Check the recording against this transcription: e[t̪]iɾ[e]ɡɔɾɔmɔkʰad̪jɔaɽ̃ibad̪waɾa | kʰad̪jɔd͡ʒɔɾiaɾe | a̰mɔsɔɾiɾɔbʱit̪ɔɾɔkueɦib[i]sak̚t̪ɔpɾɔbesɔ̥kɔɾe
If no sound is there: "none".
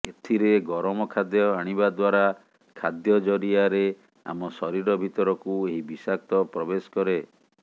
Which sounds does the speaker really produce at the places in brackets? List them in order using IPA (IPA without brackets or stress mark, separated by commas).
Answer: t̪ʰ, e, i